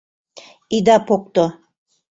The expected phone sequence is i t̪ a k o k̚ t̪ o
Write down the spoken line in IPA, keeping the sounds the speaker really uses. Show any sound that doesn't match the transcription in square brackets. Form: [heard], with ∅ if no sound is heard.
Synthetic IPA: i [d̪] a [p] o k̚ t̪ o